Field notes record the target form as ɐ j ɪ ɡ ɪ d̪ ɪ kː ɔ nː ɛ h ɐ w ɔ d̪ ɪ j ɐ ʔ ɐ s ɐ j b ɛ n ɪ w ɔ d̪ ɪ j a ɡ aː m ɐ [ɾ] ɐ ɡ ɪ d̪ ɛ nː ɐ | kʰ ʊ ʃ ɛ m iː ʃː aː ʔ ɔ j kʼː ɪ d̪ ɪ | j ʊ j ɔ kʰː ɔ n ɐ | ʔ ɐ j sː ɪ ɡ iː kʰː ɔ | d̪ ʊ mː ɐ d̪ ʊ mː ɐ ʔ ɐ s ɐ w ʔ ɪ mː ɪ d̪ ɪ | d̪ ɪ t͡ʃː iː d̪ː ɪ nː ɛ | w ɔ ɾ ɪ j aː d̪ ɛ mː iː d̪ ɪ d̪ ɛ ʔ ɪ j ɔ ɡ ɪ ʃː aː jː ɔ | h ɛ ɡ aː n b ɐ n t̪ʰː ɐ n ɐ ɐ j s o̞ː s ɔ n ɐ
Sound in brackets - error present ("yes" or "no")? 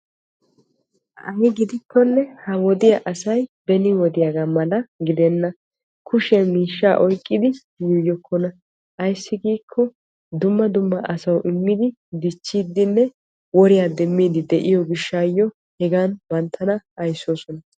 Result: yes